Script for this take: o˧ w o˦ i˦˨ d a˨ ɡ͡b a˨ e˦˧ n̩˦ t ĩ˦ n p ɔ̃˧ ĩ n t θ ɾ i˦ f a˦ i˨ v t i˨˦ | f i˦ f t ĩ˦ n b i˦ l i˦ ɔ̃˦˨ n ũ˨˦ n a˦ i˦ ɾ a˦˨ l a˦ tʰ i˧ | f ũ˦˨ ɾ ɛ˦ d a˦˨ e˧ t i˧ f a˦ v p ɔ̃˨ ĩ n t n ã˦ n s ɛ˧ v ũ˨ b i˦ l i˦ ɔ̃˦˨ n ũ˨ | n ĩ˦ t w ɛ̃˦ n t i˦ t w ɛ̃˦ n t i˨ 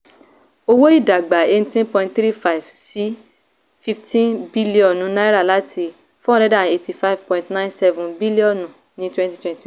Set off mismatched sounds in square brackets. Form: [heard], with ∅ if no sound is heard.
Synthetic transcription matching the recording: o˧ w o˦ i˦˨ d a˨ ɡ͡b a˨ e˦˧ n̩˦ t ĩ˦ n p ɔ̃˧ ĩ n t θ ɾ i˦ f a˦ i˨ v [s] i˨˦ | f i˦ f t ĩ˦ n b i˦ l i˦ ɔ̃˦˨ n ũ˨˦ n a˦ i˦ ɾ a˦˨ l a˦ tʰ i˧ | f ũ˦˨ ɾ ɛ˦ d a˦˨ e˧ t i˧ f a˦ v p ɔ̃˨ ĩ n t n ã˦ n s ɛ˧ v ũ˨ b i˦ l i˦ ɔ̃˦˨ n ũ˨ | n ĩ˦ t w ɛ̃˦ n t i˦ t w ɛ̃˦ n t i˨